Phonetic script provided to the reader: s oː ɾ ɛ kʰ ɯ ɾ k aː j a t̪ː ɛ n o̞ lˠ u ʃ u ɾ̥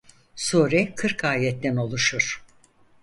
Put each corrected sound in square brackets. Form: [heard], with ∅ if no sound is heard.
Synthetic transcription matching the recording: s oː ɾ ɛ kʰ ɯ ɾ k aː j [ɛ] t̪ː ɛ n o̞ lˠ u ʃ u ɾ̥